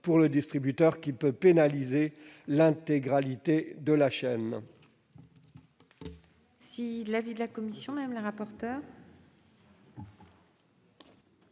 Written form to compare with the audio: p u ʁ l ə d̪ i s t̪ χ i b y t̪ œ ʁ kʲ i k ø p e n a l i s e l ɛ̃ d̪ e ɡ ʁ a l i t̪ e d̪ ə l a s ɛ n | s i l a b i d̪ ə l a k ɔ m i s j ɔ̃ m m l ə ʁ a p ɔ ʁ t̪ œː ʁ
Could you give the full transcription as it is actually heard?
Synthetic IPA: p u ʁ l ə d̪ i s t̪ χ i b y t̪ œ ʁ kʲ i p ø p e n a l i z e l ɛ̃ t̪ e ɡ ʁ a l i t̪ e d̪ ə l a ʃ ɛ n | s i l a v i d̪ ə l a k ɔ m i s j ɔ̃ m m l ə ʁ a p ɔ ʁ t̪ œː ʁ